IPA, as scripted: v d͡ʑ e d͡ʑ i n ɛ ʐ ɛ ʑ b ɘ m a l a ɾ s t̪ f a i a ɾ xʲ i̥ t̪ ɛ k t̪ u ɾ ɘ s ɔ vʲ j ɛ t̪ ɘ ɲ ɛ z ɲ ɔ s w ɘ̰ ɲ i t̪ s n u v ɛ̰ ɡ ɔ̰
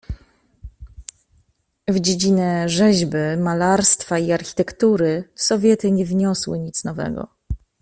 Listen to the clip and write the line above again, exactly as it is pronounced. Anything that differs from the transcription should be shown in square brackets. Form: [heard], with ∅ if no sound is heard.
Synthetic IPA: v d͡ʑ e d͡ʑ i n ɛ ʐ ɛ ʑ b ɘ m a l a ɾ s t̪ f a i a ɾ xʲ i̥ t̪ ɛ k t̪ u ɾ ɘ s ɔ vʲ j ɛ t̪ ɘ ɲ ɛ [v] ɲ ɔ s w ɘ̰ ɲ i t̪ s n [ɔ] v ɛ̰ ɡ ɔ̰

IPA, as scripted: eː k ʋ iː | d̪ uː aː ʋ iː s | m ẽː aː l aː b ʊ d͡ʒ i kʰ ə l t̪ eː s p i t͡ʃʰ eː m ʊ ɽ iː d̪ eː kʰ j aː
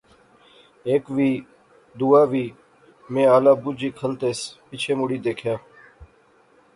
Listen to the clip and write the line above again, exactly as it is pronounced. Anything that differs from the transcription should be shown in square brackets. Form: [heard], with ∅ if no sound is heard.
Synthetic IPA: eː k ʋ iː | d̪ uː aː ʋ iː [∅] | m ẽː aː l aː b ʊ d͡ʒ [iː] kʰ ə l t̪ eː s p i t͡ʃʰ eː m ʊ ɽ iː d̪ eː kʰ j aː

